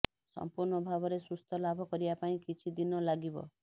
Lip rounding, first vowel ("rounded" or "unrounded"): rounded